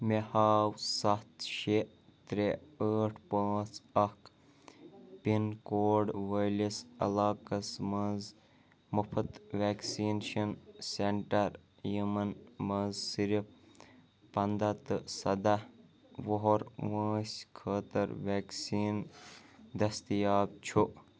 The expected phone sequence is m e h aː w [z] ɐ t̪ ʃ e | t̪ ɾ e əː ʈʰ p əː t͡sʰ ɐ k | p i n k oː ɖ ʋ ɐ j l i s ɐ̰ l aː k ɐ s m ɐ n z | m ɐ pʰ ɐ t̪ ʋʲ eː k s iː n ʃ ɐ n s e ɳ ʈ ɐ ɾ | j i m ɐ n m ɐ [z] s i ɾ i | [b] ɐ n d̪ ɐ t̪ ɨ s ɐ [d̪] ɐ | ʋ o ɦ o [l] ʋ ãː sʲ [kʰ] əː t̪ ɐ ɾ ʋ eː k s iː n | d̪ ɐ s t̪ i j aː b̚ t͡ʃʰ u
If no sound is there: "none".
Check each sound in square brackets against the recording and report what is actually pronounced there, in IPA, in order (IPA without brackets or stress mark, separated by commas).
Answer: s, z, p, d̪, ɾ, kʰ